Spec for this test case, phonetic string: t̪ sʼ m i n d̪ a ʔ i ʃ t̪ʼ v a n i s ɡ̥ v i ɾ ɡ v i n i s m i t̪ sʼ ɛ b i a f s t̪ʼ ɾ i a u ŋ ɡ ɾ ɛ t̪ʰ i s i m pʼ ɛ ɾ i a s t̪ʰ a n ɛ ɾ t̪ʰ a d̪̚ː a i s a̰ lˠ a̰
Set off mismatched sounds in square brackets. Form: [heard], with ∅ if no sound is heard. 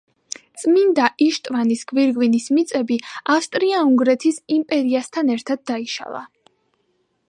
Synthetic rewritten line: t̪ sʼ m i n d̪ a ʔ i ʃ t̪ʼ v a n i s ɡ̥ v i ɾ ɡ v i n i s m i t̪ sʼ ɛ b i a f s t̪ʼ ɾ i a u ŋ ɡ ɾ ɛ t̪ʰ i s i m pʼ ɛ ɾ i a s t̪ʰ a n ɛ ɾ t̪ʰ a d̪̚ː a i [ʃ] a̰ lˠ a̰

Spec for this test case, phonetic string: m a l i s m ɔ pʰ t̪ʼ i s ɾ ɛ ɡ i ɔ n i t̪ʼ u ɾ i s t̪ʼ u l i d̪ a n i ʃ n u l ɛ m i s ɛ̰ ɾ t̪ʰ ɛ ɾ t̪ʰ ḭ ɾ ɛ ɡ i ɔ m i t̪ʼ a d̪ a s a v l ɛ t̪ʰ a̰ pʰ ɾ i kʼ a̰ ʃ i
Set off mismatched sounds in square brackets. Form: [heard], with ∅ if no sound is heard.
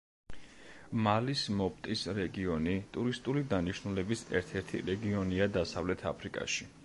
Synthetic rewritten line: m a l i s m ɔ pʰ t̪ʼ i s ɾ ɛ ɡ i ɔ n i t̪ʼ u ɾ i s t̪ʼ u l i d̪ a n i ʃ n u l ɛ [b] i s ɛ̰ ɾ t̪ʰ ɛ ɾ t̪ʰ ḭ ɾ ɛ ɡ i ɔ [n] i [∅] a d̪ a s a v l ɛ t̪ʰ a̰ pʰ ɾ i kʼ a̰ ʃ i

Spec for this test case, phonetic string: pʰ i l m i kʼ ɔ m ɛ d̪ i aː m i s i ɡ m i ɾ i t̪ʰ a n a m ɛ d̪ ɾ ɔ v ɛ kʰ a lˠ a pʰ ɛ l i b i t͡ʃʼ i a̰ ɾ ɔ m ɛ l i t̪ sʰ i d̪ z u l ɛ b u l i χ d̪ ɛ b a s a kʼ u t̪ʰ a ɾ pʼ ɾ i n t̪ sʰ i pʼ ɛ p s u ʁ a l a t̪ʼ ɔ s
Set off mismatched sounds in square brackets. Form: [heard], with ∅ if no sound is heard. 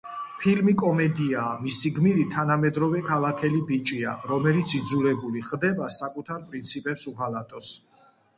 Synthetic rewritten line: pʰ i l m i kʼ ɔ m ɛ d̪ i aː m i s i ɡ m i ɾ i t̪ʰ a n a m ɛ d̪ ɾ ɔ v ɛ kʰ a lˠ a [kʰ] ɛ l i b i t͡ʃʼ i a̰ ɾ ɔ m ɛ l i t̪ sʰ i d̪ z u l ɛ b u l i χ d̪ ɛ b a s a kʼ u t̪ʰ a ɾ pʼ ɾ i n t̪ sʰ i pʼ ɛ p s u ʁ a l a t̪ʼ ɔ s

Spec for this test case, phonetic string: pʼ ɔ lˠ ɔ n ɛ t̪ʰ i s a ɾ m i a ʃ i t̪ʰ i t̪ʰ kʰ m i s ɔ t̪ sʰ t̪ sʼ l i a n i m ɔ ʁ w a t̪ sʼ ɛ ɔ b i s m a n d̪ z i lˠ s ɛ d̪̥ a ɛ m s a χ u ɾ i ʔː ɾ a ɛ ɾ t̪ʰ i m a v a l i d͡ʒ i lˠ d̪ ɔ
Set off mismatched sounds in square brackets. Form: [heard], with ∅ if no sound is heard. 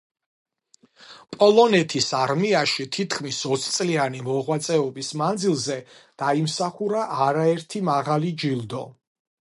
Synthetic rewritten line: pʼ ɔ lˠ ɔ n ɛ t̪ʰ i s a ɾ m i a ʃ i t̪ʰ i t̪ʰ kʰ m i s ɔ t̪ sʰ t̪ sʼ l i a n i m ɔ ʁ w a t̪ sʼ ɛ ɔ b i s m a n d̪ z i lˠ [z] ɛ d̪̥ a [i] m s a χ u ɾ [a] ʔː ɾ a ɛ ɾ t̪ʰ i m a [ʁ] a l i d͡ʒ i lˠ d̪ ɔ

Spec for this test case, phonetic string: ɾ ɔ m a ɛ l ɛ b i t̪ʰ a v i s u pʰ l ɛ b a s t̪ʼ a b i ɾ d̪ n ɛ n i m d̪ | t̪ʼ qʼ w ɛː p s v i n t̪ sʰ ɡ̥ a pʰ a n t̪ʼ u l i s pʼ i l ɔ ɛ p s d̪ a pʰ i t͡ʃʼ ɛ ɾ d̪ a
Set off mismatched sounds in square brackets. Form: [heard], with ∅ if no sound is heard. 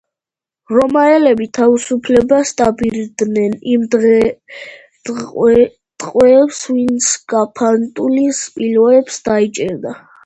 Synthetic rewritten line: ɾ ɔ m a ɛ l ɛ b i t̪ʰ a v i s u pʰ l ɛ b a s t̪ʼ a b i ɾ d̪ n ɛ n i m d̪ | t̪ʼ qʼ w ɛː p s v i n t̪ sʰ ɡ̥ a pʰ a n t̪ʼ u l i s pʼ i l ɔ ɛ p s d̪ a [∅] i t͡ʃʼ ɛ ɾ d̪ a

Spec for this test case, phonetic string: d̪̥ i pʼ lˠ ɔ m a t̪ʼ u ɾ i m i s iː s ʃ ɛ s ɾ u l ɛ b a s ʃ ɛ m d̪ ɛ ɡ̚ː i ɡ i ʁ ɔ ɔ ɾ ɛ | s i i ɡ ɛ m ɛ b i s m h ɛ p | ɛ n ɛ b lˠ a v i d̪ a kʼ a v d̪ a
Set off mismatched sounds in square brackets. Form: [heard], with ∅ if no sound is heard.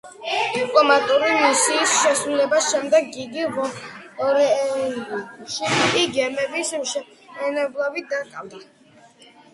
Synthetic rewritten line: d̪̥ i pʼ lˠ ɔ m a t̪ʼ u ɾ i m i s iː s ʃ ɛ s ɾ u l ɛ b a s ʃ ɛ m d̪ ɛ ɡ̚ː i ɡ i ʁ ɔ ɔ ɾ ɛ | [ʃ] i i ɡ ɛ m ɛ b i s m [ʃ] ɛ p | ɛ n ɛ b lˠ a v i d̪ a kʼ a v d̪ a

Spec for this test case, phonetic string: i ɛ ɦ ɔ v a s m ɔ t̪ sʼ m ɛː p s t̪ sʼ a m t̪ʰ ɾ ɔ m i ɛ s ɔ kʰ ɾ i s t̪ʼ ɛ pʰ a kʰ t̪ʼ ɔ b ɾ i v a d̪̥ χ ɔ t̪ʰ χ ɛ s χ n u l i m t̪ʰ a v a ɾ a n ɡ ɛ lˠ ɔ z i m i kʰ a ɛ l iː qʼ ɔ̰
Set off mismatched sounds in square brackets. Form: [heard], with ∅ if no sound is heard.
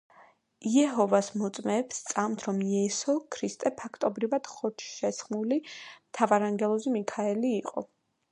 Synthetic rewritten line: i ɛ ɦ ɔ v a s m ɔ t̪ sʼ m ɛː p s t̪ sʼ a m t̪ʰ ɾ ɔ m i ɛ s ɔ kʰ ɾ i s t̪ʼ ɛ pʰ a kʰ t̪ʼ ɔ b ɾ i v a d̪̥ χ ɔ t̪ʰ [ʃ] ɛ s χ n u l i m t̪ʰ a v a ɾ a [ŋ] ɡ ɛ lˠ ɔ z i m i kʰ a ɛ l iː qʼ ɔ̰

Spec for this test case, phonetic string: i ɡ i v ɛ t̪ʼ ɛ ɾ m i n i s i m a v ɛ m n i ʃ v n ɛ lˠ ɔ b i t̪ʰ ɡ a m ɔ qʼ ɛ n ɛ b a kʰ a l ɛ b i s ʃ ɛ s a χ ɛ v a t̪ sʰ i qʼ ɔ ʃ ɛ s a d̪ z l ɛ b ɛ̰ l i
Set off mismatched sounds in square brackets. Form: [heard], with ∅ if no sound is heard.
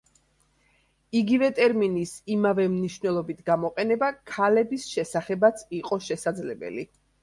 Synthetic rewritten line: i ɡ i v ɛ t̪ʼ ɛ ɾ m i n i s i m a v ɛ m n i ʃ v n ɛ lˠ ɔ b i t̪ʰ ɡ a m ɔ qʼ ɛ n ɛ b a kʰ a l ɛ b i s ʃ ɛ s a χ ɛ [b] a t̪ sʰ i qʼ ɔ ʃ ɛ s a d̪ z l ɛ b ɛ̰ l i

